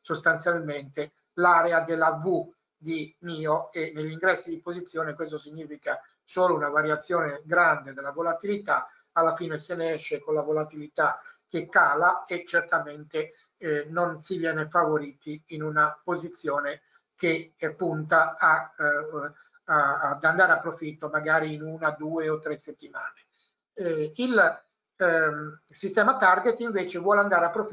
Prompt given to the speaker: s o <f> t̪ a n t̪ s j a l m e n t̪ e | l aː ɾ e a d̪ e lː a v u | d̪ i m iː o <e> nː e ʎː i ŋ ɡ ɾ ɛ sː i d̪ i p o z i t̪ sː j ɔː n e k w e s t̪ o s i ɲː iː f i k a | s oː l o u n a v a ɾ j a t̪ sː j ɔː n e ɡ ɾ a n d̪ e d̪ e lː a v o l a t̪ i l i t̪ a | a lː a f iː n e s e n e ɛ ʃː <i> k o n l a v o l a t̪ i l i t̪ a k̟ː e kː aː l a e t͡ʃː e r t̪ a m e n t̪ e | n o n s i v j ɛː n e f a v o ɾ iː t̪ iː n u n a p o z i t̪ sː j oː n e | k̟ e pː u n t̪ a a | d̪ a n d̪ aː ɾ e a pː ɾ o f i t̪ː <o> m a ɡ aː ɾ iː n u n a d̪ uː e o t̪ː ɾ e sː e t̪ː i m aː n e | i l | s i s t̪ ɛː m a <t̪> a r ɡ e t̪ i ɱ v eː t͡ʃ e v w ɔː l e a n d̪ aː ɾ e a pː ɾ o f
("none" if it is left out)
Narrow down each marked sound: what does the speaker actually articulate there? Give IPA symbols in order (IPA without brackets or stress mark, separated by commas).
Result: s, e, e, o, t̪